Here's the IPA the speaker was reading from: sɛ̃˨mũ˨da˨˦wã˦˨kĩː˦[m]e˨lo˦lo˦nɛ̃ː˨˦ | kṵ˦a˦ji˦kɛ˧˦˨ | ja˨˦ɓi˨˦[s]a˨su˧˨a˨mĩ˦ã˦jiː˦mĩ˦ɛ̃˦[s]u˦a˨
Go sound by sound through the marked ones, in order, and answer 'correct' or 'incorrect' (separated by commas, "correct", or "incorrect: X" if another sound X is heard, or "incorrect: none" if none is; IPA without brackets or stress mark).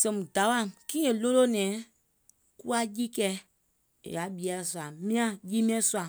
incorrect: none, incorrect: none, correct